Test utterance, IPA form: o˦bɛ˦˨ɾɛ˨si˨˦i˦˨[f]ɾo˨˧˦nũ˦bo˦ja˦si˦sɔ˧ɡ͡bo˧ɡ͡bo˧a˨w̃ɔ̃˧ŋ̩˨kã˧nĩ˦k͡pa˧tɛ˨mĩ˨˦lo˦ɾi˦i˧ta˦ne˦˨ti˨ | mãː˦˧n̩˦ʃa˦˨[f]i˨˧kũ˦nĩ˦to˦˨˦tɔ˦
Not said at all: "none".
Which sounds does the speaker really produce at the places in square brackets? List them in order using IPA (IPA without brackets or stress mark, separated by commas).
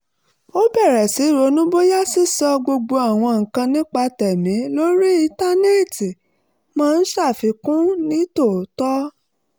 none, f